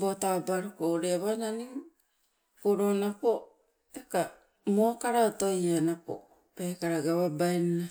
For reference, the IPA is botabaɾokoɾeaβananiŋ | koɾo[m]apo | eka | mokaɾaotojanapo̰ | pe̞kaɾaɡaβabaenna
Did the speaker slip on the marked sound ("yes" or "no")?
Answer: yes